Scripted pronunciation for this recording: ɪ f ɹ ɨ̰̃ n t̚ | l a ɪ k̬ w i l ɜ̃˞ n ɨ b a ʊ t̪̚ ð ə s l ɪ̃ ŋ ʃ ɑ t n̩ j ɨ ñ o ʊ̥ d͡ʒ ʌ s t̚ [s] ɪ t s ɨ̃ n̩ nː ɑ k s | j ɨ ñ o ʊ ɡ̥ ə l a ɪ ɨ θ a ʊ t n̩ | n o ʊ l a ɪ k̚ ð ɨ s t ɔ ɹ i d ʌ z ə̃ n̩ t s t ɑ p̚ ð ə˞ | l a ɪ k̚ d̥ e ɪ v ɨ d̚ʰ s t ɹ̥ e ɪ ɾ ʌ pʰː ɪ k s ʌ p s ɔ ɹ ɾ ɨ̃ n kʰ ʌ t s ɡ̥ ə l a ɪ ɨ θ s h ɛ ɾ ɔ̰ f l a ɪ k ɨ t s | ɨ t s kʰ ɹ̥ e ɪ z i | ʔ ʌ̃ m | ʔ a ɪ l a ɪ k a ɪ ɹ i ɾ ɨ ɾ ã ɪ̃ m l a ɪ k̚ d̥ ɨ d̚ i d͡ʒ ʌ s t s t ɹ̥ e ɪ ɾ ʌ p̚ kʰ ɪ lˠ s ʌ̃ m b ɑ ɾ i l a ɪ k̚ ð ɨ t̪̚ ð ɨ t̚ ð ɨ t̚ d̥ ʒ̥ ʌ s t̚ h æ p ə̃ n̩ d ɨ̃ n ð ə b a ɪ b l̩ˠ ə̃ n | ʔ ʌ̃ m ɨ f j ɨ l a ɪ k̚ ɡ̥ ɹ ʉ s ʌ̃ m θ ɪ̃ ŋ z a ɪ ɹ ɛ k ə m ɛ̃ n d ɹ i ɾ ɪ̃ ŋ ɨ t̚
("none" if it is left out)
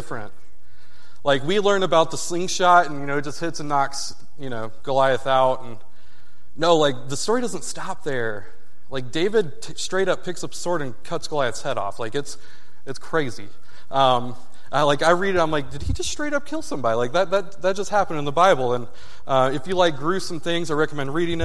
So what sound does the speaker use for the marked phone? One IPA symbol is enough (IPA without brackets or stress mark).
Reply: h